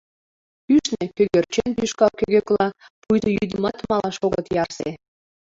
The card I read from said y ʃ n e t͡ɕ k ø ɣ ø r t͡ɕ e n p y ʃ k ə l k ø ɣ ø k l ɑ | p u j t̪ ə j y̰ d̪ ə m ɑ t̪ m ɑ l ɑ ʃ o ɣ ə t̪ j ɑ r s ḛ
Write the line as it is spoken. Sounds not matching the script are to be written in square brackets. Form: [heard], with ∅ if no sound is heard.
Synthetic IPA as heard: y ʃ n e [∅] k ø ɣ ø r t͡ɕ e n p y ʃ k [ɑ] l k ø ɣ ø k l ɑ | p u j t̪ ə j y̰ d̪ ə m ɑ t̪ m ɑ l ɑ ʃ o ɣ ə t̪ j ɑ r s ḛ